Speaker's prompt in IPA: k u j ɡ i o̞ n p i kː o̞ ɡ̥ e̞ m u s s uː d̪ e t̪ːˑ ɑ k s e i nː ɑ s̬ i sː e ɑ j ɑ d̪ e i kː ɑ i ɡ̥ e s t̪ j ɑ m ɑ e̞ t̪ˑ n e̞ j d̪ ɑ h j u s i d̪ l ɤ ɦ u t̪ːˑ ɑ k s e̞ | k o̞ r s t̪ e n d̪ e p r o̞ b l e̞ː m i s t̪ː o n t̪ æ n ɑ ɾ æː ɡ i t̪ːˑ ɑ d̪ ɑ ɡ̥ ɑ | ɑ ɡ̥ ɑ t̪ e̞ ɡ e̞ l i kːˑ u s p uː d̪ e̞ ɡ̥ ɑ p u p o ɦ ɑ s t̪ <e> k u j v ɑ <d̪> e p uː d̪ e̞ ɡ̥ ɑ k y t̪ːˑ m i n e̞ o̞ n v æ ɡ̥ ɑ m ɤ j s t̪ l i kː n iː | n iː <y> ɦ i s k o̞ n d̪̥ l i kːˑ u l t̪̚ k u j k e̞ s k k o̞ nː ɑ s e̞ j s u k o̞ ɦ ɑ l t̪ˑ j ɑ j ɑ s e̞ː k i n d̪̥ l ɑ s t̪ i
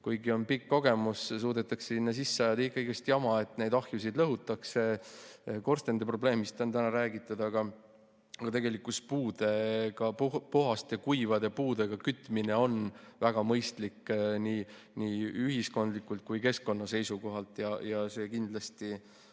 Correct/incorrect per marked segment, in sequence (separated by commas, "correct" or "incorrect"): correct, correct, correct